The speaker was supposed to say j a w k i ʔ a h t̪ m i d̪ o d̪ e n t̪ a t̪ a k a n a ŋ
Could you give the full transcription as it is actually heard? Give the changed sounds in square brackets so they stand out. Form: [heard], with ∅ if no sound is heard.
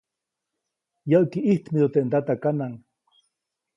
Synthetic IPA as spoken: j a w k i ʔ [i] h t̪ m i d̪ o [t̪] e n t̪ a t̪ a k a n a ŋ